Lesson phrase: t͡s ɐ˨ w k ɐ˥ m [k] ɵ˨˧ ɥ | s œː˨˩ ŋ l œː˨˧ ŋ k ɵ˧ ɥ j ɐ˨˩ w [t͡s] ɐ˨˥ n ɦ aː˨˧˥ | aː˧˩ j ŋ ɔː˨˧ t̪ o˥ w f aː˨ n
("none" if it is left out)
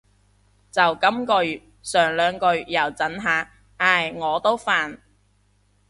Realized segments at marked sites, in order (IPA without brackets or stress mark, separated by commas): k, t͡s